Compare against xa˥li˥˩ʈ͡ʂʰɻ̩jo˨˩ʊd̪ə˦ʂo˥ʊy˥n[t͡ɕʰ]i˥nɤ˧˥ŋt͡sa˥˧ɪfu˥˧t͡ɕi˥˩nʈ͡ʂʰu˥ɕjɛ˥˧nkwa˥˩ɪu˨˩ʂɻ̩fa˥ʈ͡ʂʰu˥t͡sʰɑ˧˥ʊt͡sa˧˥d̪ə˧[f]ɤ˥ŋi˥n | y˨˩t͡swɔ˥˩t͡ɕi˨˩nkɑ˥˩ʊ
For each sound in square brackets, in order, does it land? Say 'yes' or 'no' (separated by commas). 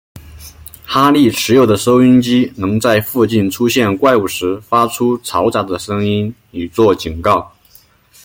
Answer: no, no